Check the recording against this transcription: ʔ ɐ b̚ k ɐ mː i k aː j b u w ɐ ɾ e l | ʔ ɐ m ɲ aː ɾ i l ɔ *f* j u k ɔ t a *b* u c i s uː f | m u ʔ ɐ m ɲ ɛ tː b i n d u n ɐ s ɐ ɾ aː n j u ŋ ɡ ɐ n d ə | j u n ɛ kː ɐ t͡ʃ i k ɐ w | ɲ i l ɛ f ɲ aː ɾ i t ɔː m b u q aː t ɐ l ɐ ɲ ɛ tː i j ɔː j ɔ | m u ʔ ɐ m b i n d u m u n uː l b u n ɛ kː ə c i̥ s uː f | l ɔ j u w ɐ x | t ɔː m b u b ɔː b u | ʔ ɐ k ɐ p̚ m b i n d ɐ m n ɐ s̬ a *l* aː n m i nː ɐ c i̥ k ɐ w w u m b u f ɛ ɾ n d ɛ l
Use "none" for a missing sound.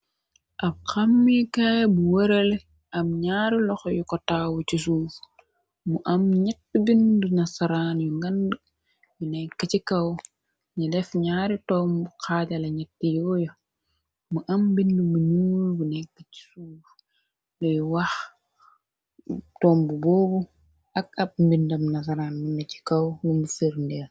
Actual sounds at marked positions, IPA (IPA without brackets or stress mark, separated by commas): x, w, ɾ